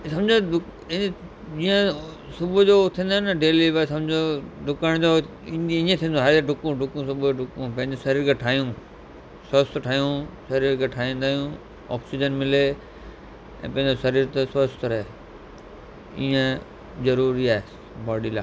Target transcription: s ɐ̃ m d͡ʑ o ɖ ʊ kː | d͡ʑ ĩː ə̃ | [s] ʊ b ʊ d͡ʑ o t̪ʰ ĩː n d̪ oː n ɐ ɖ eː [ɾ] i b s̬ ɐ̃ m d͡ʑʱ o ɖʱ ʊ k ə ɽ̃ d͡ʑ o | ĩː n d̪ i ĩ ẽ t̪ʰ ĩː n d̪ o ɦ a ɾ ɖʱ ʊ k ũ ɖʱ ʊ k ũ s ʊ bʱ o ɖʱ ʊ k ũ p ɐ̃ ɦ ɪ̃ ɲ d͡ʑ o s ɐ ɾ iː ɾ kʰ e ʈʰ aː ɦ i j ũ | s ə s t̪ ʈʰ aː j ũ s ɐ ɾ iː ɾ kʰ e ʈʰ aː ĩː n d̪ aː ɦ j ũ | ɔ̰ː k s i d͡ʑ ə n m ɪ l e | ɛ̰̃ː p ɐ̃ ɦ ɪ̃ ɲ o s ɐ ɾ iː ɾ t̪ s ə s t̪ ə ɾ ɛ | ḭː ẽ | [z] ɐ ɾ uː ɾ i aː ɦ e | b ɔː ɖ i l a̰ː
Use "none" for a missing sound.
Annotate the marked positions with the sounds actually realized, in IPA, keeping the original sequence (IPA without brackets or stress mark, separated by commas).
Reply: s, l, z